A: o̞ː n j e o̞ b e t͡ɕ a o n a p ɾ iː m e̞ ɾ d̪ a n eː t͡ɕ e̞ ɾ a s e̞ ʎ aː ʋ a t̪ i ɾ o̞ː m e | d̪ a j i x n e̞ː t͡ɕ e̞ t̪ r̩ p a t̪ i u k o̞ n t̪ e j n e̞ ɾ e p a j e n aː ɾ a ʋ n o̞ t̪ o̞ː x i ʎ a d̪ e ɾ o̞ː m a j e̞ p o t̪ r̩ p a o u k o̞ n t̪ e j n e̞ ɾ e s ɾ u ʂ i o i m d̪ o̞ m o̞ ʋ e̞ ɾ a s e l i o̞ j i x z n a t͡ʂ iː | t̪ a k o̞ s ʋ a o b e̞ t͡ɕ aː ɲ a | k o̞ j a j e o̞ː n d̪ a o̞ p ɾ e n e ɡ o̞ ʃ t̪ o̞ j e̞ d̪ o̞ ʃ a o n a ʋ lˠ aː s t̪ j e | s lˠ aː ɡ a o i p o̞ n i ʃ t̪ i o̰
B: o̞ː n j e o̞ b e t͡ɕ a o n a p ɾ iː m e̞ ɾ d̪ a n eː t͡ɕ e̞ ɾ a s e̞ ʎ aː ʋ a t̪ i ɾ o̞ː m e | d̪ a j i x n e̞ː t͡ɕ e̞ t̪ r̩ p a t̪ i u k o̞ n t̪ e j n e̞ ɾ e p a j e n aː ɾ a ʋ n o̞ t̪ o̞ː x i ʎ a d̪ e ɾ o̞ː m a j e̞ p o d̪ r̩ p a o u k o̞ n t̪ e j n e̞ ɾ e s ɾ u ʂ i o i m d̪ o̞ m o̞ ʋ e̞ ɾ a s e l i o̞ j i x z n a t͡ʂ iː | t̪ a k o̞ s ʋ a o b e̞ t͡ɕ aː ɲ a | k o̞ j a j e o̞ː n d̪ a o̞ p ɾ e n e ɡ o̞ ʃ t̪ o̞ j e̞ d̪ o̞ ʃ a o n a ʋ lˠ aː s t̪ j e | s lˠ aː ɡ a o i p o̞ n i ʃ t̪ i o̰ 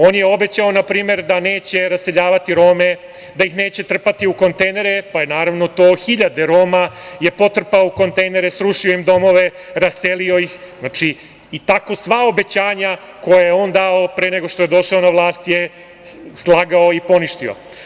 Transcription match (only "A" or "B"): A